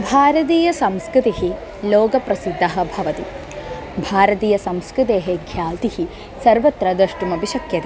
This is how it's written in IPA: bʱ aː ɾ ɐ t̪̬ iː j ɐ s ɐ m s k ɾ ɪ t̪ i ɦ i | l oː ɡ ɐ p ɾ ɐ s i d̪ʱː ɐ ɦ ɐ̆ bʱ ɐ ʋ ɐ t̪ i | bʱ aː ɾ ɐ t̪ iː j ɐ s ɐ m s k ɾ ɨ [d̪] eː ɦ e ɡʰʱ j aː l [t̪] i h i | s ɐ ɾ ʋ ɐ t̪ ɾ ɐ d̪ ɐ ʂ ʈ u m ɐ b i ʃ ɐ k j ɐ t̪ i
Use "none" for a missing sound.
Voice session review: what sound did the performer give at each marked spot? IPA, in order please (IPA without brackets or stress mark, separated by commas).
t̪, t̪